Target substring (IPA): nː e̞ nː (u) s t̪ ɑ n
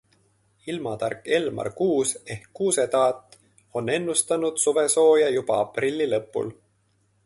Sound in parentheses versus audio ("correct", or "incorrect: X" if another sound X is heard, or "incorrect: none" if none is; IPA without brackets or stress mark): correct